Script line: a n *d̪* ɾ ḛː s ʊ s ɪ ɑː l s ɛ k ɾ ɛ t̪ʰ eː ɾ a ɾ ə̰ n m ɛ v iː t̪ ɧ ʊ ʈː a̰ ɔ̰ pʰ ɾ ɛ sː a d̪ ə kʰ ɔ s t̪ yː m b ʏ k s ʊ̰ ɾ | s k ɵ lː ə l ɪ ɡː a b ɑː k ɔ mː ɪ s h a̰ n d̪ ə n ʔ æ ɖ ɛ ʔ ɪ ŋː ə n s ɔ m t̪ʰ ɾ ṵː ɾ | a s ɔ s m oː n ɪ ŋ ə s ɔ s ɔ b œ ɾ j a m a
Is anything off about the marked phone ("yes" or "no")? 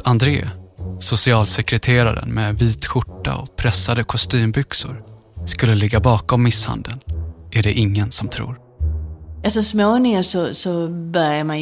no